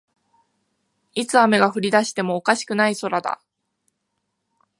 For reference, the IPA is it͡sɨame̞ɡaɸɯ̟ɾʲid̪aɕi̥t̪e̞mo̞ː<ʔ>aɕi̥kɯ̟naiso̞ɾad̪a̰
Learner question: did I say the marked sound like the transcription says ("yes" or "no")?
no